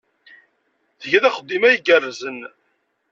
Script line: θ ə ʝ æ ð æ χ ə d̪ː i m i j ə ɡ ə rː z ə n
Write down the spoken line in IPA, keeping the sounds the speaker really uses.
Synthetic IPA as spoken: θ ə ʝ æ ð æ χ ə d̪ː i m æ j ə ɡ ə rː z ə n